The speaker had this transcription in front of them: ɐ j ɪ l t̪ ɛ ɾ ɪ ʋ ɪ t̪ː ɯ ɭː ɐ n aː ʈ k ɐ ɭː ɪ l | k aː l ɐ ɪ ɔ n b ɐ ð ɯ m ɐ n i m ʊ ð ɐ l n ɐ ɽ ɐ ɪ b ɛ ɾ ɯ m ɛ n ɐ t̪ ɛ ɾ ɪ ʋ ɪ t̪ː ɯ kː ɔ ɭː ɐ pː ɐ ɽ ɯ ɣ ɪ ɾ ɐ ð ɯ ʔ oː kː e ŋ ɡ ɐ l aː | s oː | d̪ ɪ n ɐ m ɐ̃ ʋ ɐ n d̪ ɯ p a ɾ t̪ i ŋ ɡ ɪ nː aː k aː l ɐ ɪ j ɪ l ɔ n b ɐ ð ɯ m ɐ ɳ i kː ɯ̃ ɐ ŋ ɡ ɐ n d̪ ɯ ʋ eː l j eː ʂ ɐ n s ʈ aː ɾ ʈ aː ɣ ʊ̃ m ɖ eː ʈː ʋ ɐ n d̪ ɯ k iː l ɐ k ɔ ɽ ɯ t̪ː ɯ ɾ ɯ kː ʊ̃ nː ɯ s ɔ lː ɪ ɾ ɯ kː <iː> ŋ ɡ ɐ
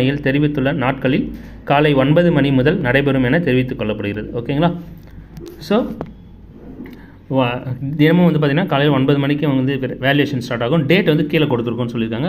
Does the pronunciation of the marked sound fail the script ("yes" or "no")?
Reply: yes